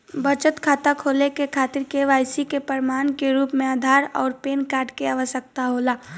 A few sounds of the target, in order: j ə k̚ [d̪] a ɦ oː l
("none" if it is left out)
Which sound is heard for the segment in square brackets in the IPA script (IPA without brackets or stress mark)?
t̪